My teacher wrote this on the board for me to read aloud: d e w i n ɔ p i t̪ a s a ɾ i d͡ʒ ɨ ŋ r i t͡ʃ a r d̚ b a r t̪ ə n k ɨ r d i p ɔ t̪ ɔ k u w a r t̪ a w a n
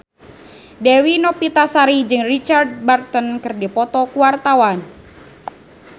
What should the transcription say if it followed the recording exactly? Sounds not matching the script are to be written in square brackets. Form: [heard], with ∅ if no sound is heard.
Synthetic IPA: d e w i n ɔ p i t̪ a s a ɾ i d͡ʒ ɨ ŋ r i t͡ʃ a r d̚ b a r t̪ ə n k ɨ r d i p ɔ t̪ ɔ k u w a r t̪ a w a n